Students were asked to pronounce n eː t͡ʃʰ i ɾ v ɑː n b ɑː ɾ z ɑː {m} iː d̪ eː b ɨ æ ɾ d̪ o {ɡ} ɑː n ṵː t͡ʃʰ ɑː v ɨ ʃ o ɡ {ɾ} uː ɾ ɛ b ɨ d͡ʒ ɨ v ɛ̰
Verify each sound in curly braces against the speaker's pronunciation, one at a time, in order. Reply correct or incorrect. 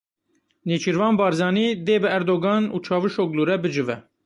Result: incorrect: n, correct, incorrect: l

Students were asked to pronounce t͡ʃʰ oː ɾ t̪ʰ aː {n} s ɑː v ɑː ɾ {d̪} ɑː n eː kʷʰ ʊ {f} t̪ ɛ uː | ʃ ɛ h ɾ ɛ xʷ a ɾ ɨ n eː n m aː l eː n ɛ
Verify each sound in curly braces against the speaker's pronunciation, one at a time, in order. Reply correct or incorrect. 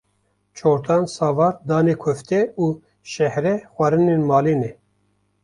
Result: correct, correct, correct

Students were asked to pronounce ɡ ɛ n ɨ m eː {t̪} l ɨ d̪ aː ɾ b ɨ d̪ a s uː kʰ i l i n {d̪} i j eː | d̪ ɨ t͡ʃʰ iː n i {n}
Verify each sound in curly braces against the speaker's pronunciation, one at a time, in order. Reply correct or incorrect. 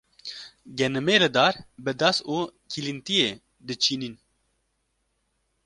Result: incorrect: none, incorrect: t̪, correct

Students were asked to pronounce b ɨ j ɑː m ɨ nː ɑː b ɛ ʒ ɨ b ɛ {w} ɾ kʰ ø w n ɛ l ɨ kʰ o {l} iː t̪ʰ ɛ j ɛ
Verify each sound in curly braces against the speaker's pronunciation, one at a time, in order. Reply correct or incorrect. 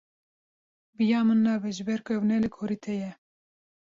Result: incorrect: none, incorrect: ɾ

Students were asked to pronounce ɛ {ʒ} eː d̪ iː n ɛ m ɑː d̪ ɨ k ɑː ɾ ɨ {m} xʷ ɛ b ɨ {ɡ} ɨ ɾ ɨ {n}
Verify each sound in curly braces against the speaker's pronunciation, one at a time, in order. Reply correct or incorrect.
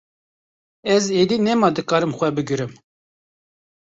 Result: incorrect: z, correct, correct, incorrect: m

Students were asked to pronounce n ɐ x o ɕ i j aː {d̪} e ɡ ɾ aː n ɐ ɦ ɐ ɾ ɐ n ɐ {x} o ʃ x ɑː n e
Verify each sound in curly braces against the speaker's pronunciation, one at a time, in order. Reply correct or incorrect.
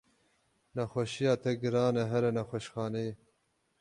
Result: incorrect: t̪, correct

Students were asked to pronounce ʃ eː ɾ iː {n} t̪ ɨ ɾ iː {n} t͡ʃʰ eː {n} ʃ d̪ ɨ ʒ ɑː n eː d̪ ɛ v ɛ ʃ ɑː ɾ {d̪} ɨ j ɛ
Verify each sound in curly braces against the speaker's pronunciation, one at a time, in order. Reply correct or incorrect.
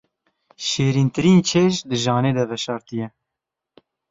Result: correct, correct, incorrect: none, incorrect: t̪

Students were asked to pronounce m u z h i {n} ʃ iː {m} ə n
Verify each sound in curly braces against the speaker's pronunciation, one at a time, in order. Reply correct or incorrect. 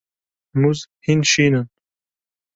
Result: correct, incorrect: n

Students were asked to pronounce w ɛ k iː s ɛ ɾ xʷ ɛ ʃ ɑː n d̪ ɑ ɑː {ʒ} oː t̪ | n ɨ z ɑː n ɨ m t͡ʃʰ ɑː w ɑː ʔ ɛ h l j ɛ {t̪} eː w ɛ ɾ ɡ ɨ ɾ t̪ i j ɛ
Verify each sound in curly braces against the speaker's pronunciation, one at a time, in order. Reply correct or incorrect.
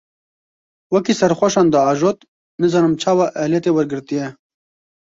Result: correct, correct

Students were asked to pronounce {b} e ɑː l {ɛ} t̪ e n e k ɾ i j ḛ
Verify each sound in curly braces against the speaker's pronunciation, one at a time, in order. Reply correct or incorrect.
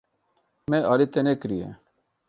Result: incorrect: m, incorrect: i

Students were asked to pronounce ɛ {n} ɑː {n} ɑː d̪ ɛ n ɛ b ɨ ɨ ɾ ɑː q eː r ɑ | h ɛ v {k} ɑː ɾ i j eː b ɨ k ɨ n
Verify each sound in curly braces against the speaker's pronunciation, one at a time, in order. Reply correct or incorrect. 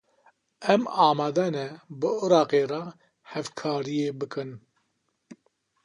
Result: incorrect: m, incorrect: m, incorrect: kʰ

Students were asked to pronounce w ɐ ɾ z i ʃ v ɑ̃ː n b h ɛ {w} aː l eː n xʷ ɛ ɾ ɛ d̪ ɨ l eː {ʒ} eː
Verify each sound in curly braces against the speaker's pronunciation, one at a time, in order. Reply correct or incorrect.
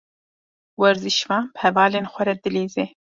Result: incorrect: v, incorrect: z

